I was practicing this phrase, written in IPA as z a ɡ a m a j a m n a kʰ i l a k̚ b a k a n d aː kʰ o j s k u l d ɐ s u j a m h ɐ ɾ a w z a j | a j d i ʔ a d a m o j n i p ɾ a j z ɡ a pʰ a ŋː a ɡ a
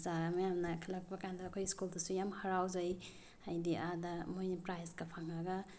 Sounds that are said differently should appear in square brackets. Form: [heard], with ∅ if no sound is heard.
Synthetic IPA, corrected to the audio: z a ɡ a m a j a m n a kʰ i l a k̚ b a k a n d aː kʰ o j s k u l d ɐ s u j a m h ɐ ɾ a w z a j | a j d i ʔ a d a m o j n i p ɾ a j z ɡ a pʰ a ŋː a ɡ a